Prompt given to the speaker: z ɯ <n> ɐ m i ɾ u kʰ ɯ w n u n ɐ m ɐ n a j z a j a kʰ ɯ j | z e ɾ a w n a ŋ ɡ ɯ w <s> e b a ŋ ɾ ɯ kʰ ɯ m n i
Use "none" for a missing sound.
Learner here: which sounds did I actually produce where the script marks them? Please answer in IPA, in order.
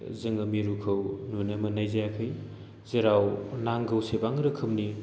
ŋ, s

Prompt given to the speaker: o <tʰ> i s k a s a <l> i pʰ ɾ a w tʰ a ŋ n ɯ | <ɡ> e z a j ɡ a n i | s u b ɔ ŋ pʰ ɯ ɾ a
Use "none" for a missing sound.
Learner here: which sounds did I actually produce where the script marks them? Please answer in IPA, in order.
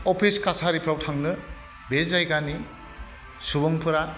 pʰ, ɾ, b

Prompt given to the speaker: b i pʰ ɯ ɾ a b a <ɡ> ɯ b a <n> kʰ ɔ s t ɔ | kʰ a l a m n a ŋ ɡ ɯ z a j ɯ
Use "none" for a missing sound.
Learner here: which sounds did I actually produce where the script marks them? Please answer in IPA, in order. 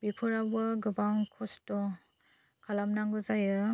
ɡ, ŋ

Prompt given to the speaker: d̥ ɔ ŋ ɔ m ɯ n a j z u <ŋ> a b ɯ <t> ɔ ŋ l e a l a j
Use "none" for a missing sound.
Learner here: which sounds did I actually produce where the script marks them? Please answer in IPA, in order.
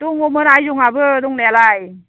ŋ, d

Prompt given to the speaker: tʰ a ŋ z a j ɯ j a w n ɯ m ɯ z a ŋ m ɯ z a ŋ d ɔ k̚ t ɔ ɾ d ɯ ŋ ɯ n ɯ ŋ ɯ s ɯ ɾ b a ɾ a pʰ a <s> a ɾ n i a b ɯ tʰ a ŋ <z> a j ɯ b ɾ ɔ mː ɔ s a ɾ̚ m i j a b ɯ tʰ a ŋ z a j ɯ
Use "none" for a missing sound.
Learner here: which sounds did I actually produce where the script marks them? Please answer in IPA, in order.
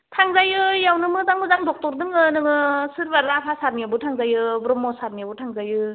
s, z

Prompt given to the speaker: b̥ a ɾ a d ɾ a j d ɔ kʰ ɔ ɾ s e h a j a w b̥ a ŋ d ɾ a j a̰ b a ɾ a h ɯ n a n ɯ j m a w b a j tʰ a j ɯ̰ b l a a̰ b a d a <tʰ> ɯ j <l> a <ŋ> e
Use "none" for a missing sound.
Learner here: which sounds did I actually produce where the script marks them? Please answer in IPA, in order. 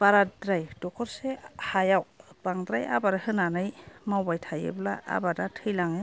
tʰ, l, ŋ

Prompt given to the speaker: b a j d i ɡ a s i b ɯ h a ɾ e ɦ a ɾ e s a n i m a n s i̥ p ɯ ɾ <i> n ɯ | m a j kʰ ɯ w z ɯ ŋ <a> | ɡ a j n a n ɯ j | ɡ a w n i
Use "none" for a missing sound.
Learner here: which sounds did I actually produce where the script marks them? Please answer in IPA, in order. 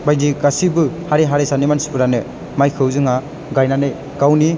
a, a

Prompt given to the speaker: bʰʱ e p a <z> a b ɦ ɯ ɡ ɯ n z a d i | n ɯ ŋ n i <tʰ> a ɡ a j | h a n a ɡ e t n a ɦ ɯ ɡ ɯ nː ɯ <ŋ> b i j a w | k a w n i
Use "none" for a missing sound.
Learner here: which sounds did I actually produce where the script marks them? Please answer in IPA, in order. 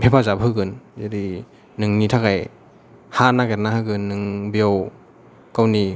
z, tʰ, ŋ

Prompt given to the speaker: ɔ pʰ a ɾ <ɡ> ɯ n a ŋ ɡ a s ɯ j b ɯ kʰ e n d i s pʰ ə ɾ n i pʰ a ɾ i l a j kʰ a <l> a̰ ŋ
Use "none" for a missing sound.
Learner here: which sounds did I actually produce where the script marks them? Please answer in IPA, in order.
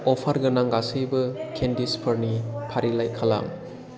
ɡ, l

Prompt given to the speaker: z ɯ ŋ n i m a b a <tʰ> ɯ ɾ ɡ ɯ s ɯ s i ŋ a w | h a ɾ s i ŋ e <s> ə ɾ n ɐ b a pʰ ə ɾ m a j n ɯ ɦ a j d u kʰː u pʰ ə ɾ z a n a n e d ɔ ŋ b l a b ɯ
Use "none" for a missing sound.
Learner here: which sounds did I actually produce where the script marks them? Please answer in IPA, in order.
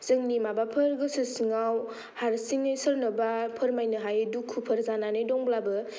pʰ, s

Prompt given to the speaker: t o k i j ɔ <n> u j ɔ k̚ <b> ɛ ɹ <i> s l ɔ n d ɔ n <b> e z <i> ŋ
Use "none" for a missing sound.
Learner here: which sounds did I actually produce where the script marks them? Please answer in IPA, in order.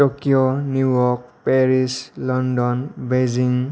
n, p, i, b, i

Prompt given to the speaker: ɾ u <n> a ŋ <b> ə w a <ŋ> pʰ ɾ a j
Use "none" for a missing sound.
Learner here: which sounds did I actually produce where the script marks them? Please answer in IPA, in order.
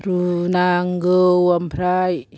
n, ɡ, m

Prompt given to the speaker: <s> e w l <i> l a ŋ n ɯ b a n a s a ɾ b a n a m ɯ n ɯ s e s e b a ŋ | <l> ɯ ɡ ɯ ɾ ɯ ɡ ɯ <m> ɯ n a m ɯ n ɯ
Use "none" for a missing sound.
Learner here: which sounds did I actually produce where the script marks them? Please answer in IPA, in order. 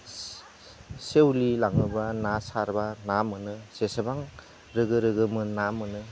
s, i, ɾ, m

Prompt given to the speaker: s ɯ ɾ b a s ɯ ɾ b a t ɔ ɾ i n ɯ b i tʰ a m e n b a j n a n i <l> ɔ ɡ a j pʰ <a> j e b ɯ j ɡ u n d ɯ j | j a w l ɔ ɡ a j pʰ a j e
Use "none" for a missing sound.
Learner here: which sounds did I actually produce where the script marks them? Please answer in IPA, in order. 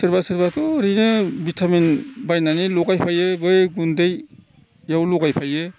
l, a

